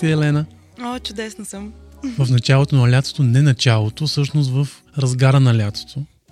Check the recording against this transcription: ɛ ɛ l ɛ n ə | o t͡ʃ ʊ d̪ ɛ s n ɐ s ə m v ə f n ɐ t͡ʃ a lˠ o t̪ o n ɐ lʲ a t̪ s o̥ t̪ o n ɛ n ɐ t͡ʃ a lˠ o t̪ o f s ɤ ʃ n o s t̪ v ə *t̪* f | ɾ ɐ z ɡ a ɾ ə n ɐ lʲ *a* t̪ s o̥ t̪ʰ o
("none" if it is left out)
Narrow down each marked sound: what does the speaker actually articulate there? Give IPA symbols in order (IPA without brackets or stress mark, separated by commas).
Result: none, a